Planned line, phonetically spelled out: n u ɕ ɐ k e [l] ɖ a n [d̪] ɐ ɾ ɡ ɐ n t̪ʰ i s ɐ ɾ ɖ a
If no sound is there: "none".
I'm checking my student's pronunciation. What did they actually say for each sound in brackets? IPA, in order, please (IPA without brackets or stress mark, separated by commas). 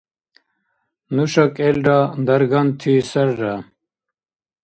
l, d̪